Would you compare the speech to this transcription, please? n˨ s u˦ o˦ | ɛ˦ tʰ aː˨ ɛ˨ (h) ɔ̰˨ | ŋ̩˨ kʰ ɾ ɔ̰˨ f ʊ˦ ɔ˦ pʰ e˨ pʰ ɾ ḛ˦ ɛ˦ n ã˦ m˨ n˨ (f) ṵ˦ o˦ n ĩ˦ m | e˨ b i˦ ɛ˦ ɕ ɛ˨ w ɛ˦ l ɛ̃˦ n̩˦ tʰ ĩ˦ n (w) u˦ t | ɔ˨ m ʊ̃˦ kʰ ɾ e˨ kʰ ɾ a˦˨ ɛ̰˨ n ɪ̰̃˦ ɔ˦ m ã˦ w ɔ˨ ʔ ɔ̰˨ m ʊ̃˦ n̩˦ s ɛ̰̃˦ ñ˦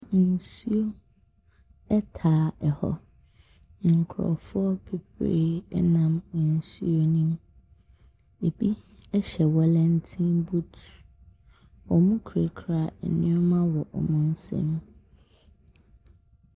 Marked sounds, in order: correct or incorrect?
correct, incorrect, incorrect

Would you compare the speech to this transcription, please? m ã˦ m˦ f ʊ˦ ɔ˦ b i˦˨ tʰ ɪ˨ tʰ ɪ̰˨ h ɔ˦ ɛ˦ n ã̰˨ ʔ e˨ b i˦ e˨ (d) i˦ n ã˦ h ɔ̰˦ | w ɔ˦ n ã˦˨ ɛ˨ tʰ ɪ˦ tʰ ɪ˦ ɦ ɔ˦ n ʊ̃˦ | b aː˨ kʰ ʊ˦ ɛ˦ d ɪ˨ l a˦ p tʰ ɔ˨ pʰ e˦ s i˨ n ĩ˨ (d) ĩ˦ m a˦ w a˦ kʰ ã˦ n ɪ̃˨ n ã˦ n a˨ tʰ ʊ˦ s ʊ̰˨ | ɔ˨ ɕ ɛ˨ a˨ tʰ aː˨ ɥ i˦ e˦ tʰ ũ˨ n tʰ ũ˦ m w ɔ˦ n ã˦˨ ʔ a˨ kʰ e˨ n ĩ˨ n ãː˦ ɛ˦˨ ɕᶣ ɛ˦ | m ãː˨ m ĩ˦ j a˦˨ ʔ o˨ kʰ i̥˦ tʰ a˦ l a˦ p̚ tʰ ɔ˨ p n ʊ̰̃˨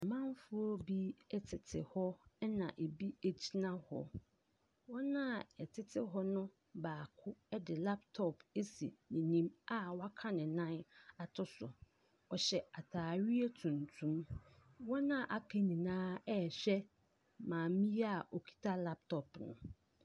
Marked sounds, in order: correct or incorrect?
incorrect, incorrect

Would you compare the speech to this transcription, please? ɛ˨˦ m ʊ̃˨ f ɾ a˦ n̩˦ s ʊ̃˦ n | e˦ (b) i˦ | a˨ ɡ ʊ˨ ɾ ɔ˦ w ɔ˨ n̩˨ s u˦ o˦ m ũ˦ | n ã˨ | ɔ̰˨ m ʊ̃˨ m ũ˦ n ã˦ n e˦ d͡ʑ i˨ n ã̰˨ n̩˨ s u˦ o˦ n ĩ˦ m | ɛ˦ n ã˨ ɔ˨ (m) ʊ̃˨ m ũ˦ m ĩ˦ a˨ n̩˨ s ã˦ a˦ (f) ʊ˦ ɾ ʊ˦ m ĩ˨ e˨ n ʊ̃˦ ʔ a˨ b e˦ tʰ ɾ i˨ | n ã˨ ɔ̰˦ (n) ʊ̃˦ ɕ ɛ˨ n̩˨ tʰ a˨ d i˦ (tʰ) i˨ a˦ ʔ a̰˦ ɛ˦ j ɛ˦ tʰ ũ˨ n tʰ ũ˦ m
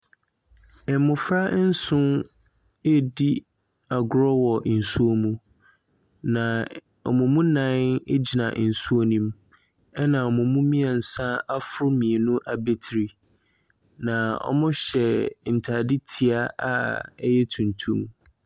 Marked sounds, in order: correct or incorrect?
incorrect, correct, correct, incorrect, correct

